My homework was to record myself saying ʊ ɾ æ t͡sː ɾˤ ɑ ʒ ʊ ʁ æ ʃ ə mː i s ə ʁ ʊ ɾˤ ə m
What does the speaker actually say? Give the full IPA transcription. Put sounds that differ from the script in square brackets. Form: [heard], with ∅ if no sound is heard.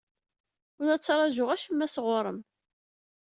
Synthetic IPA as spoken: ʊ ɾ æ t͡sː ɾˤ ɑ ʒ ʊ ʁ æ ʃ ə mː [æ] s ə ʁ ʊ ɾˤ ə m